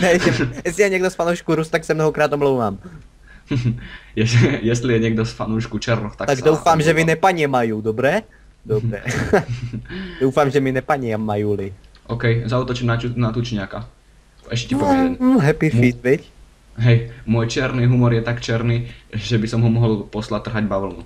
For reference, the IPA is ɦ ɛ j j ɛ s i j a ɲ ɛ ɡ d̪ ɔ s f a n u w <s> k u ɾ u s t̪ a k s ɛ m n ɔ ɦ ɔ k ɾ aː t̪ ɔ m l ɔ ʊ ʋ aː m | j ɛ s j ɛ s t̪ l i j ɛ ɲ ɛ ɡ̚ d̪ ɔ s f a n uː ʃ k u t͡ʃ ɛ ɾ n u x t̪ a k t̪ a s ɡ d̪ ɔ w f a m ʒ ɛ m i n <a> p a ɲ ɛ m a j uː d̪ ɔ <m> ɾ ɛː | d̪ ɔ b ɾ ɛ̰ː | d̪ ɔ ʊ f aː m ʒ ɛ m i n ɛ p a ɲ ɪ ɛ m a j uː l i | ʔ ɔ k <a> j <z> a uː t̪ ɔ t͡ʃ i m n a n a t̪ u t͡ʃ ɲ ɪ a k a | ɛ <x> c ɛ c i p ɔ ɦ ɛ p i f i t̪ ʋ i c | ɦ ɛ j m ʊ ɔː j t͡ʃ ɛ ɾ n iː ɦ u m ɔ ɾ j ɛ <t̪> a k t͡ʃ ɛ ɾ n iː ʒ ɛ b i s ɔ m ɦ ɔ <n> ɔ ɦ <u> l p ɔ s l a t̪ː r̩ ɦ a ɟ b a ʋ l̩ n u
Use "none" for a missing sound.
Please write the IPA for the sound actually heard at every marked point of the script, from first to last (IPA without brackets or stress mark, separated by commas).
ʃ, ɛ, b, ɛ, z, ʃ, t̪, m, ɔ